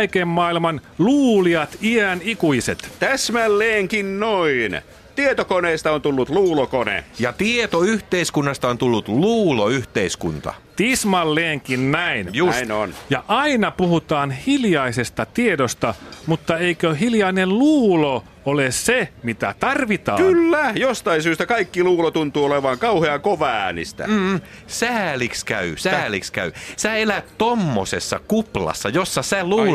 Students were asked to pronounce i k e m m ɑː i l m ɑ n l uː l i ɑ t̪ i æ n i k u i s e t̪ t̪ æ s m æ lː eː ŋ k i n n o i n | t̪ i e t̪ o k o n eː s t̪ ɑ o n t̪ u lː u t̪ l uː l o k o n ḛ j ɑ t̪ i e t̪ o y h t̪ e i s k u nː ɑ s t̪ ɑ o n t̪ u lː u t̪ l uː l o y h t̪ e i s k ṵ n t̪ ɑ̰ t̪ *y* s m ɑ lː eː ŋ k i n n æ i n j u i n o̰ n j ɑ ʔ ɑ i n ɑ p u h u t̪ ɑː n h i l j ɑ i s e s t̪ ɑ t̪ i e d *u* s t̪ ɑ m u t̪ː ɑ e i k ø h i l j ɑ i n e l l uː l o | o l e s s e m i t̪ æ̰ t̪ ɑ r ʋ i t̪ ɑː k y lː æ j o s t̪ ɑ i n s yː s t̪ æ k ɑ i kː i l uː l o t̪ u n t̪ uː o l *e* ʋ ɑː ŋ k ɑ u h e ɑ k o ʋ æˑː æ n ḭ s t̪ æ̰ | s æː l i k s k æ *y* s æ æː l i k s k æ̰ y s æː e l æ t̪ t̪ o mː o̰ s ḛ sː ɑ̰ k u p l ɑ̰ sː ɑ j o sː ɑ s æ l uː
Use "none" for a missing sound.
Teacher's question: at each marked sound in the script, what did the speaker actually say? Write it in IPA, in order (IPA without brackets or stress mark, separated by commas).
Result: i, o, e, y